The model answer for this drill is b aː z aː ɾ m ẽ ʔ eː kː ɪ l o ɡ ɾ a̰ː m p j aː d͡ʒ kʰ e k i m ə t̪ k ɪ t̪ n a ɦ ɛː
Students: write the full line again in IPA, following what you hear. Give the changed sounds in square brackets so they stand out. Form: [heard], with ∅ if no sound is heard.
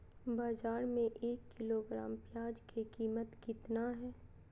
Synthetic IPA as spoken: b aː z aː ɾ m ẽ ʔ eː kː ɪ l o ɡ ɾ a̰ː m p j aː d͡ʒ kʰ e k [iː] m ə t̪ k ɪ t̪ n a ɦ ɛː